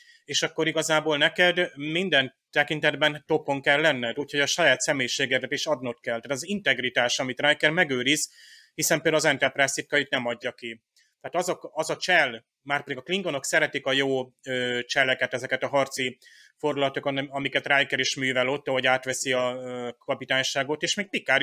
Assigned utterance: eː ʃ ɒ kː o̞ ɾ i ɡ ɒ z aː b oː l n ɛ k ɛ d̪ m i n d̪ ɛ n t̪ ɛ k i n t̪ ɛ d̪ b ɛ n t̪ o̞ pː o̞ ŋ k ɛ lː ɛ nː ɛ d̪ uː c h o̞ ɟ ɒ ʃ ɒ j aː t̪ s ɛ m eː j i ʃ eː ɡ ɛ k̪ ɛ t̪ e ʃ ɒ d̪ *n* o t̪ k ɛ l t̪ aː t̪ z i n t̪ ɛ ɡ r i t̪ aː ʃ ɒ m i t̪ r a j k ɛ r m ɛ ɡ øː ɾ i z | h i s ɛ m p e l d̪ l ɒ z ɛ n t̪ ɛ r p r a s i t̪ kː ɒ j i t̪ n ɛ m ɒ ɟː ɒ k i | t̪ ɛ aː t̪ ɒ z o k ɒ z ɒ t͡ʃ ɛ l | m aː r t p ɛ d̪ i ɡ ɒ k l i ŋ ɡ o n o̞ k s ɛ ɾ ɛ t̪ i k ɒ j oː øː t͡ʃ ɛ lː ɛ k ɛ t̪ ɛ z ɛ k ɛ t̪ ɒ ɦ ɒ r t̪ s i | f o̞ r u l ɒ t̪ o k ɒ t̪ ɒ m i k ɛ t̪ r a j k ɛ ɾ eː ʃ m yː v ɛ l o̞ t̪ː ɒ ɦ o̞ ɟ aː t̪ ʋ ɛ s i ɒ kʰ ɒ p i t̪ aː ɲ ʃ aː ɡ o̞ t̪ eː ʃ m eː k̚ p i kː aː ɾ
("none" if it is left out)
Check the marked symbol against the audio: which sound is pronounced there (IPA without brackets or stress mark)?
n